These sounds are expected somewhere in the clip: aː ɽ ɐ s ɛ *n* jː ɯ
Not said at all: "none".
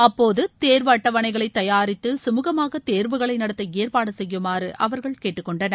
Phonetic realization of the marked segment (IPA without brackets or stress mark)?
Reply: none